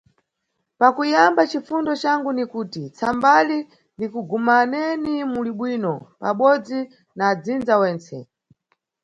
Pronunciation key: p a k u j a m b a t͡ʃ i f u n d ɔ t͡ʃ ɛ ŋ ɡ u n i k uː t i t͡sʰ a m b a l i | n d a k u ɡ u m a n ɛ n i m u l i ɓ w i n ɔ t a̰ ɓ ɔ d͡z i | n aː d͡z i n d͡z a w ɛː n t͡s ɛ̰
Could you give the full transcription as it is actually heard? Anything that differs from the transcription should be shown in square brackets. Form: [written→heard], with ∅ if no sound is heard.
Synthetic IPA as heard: p a k u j a m b a t͡ʃ i f u n d ɔ t͡ʃ [ɛ→a] ŋ ɡ u n i k uː t i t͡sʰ a m b a l i | n d [a→i] k u ɡ u m a n ɛ n i m u l i ɓ w i n ɔ [t→p] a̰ ɓ ɔ d͡z i | n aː d͡z i n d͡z a w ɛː n t͡s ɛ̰